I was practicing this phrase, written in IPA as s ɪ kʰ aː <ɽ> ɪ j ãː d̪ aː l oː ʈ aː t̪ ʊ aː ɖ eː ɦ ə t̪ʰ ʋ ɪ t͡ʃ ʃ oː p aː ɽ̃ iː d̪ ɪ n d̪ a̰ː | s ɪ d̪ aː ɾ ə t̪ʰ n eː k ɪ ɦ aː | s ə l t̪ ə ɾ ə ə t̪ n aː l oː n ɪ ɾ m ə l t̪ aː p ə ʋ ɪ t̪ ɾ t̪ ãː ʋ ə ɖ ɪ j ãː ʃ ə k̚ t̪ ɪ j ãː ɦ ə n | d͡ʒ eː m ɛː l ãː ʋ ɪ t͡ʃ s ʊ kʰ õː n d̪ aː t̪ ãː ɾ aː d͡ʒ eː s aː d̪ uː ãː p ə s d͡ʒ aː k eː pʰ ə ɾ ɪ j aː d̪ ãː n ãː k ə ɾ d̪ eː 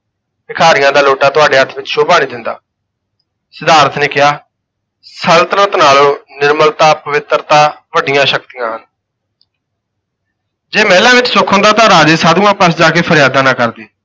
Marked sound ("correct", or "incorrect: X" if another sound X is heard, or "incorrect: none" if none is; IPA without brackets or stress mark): incorrect: ɾ